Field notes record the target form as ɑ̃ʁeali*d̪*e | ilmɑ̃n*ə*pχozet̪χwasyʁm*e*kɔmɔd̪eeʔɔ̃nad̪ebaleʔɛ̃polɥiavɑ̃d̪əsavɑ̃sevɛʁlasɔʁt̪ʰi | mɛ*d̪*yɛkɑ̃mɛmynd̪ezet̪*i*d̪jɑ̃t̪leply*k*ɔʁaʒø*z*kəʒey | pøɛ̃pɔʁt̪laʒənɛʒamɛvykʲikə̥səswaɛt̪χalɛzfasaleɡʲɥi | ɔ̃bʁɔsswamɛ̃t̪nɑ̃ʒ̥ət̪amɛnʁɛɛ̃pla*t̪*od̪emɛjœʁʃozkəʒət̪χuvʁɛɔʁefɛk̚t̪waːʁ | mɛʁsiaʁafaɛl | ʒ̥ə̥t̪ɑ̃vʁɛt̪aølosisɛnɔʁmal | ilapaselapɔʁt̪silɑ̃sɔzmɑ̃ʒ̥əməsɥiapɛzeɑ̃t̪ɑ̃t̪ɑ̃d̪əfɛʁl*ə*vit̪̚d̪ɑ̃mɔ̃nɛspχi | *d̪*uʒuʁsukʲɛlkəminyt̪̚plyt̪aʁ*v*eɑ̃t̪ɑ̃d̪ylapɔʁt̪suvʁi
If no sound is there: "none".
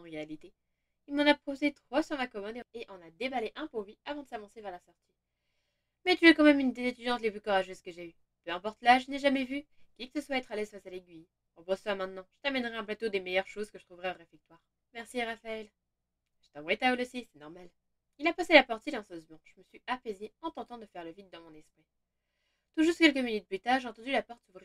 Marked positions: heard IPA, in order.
t̪, a, a, t̪, y, k, z, t̪, ə, t̪, ʒ

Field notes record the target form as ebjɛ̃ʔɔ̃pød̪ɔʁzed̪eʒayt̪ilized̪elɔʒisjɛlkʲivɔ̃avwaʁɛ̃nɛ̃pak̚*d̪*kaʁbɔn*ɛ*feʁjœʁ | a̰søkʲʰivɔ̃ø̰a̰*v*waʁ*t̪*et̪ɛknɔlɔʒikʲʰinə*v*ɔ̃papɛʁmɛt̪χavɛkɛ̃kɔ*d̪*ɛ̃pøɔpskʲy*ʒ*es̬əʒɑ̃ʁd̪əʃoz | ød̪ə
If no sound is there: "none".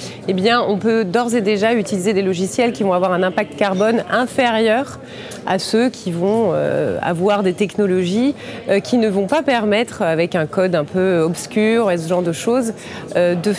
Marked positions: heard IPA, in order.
t̪, ɛ̃, v, d̪, v, d̪, ʁ

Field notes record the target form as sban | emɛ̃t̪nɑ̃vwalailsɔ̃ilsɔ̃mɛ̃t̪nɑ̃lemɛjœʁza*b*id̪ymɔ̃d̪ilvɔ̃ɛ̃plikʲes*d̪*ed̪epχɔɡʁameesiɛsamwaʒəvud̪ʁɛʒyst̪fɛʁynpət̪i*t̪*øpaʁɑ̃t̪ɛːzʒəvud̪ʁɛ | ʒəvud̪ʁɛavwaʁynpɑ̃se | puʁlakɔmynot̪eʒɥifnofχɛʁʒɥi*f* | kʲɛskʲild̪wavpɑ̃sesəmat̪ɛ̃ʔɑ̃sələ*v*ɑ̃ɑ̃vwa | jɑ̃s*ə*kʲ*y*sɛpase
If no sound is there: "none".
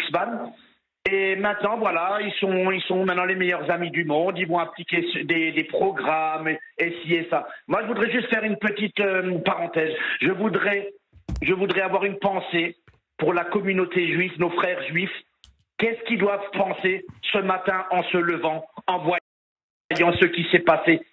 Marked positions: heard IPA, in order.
m, d̪, t̪, f, v, ə, i

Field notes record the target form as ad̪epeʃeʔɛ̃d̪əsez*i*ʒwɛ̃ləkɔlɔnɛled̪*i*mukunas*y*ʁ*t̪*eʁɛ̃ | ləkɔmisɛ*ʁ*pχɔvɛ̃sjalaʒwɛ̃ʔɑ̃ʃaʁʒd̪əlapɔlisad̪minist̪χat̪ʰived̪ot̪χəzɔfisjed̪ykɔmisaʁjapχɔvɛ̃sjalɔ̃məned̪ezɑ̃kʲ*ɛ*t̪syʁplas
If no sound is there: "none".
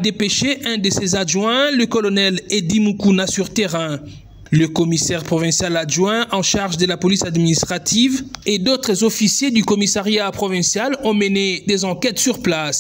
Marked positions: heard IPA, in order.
a, i, y, t̪, ʁ, ɛ

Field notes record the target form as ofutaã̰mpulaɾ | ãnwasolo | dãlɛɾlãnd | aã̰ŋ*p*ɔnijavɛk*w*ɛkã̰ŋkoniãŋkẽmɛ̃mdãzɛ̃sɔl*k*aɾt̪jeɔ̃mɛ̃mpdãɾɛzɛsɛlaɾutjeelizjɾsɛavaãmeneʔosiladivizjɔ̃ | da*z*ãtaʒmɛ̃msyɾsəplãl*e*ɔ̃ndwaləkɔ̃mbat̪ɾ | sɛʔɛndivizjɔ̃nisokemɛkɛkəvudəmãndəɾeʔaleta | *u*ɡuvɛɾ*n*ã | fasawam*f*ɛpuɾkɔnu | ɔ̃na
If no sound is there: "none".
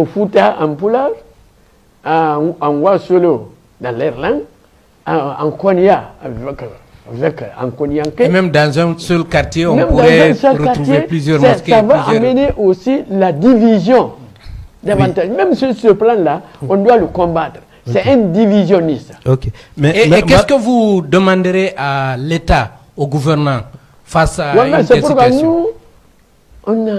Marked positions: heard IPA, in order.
k, v, k, v, a, o, n, s

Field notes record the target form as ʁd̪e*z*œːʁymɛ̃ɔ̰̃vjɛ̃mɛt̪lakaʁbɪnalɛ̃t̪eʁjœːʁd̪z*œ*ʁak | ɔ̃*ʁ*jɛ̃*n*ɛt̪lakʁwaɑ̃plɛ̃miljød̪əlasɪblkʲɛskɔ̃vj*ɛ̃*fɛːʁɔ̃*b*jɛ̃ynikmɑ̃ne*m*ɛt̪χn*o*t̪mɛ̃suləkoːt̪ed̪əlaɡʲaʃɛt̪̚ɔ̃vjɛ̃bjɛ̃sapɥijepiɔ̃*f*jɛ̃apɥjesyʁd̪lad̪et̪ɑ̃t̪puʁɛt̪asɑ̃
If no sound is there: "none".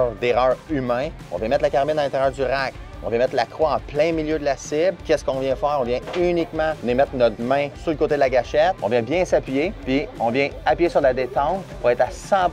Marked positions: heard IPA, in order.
ʁ, y, v, m, ɛ̃, v, m, ɔ, v

